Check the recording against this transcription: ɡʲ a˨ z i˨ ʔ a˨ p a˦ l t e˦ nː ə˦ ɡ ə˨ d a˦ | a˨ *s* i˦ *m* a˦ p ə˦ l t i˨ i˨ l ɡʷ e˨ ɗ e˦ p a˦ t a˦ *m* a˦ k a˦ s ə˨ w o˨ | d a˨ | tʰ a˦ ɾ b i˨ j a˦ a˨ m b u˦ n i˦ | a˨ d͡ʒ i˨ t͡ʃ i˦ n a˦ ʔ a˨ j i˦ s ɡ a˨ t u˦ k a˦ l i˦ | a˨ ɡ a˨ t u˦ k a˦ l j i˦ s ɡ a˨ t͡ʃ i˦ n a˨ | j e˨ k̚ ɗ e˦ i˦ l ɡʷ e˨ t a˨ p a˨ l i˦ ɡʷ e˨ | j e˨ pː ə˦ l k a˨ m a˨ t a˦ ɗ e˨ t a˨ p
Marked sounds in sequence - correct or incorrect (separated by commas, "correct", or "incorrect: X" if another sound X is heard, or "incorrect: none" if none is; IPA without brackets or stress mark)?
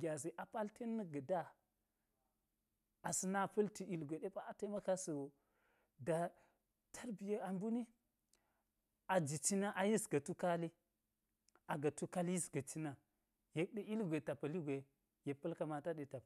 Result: correct, incorrect: n, correct